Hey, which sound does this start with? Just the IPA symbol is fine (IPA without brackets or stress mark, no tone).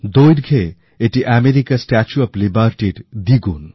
d̪